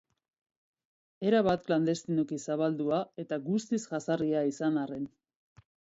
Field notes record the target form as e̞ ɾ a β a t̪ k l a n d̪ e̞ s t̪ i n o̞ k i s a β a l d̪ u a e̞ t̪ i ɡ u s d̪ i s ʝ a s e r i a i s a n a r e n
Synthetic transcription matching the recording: e̞ ɾ a β a t̪ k l a n d̪ e̞ s t̪ i n o̞ k i s a β a l d̪ u a e̞ t̪ a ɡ u s t̪ i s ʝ a s a r i a i s a n a r e n

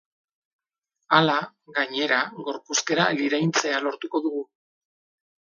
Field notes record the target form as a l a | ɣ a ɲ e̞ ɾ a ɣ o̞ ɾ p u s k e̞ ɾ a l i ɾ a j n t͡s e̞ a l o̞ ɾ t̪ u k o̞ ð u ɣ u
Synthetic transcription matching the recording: a l a | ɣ a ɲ e̞ ɾ a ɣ o̞ ɾ p u s k e̞ ɾ a l i ɾ a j n t͡s e̞ a l o̞ ɾ t̪ u k o̞ ð u ɣ u

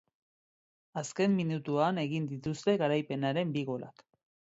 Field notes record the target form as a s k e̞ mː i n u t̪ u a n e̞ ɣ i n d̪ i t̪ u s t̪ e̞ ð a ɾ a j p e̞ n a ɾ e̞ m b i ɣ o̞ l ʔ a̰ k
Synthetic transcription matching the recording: a s k e̞ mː i n u t̪ u a n e̞ ɣ i n d̪ i t̪ u s t̪ e̞ ɣ a ɾ a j p e̞ n a ɾ e̞ m b i ɣ o̞ l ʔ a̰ k

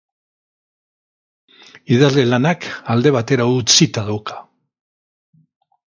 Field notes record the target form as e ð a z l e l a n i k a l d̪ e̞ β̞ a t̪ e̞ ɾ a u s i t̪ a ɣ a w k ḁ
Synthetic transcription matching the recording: i ð a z l e l a n a k a l d̪ e̞ β̞ a t̪ e̞ ɾ a u t͡s i t̪ a ð a w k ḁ

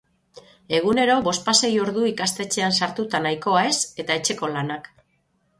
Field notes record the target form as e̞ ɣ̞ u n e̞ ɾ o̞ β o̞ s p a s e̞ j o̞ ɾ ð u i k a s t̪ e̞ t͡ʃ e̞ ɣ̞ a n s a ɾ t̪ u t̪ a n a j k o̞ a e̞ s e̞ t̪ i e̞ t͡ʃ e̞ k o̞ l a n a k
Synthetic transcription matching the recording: e̞ ɣ̞ u n e̞ ɾ o̞ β o̞ s p a s e̞ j o̞ ɾ ð u i k a s t̪ e̞ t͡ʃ e̞ a n s a ɾ t̪ u t̪ a n a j k o̞ a e̞ s e̞ t̪ a e̞ t͡ʃ e̞ k o̞ l a n a k

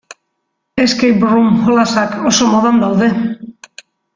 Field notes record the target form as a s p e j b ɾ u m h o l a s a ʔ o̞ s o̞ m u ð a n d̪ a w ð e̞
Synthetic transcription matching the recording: e s k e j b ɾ u m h o l a s a k o̞ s o̞ m o ð a n d̪ a w ð e̞

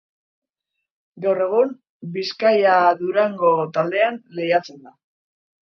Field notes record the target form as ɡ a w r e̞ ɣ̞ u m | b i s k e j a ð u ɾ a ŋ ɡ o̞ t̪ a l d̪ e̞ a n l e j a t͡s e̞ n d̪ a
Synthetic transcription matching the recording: ɡ a w r e̞ ɣ̞ u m | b i s k a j a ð u ɾ a ŋ ɡ o̞ t̪ a l d̪ e̞ a n l e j a t͡s e̞ n d̪ a

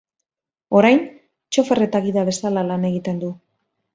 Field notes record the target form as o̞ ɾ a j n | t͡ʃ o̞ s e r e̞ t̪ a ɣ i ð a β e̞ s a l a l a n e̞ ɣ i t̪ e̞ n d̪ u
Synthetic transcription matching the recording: o̞ ɾ a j n | t͡ʃ o̞ f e r e̞ t̪ a ɣ i ð a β e̞ s a l a l a n e̞ ɣ i t̪ e̞ n d̪ u

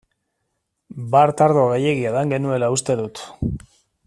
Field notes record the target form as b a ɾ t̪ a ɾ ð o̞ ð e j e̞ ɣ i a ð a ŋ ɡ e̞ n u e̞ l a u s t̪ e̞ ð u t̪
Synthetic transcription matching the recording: b a ɾ t̪ a ɾ ð o̞ ɣ e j e̞ ɣ i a ð a ŋ ɡ e̞ n u e̞ l a u s t̪ e̞ ð u t̪

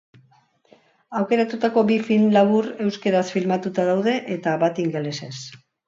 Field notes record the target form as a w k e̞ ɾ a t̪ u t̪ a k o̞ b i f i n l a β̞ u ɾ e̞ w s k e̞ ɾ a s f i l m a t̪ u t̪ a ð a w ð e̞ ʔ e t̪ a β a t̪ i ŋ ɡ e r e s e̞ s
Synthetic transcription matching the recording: a w k e̞ ɾ a t̪ u t̪ a k o̞ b i f i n l a β̞ u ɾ e̞ w s k e̞ ɾ a s f i l m a t̪ u t̪ a ð a w ð e̞ ʔ e t̪ a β a t̪ i ŋ ɡ e l e s e̞ s

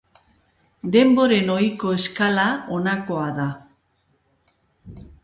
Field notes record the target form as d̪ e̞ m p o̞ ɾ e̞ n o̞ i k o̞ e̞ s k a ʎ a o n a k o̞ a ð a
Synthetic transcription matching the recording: d̪ e̞ m b o̞ ɾ e̞ n o̞ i k o̞ e̞ s k a l a o n a k o̞ a ð a

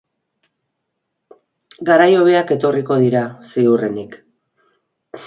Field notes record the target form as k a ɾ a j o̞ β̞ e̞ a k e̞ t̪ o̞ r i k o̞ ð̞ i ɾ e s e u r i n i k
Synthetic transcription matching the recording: ɡ a ɾ a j o̞ β̞ e̞ a k e̞ t̪ o̞ r i k o̞ ð̞ i ɾ a s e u r e n i k

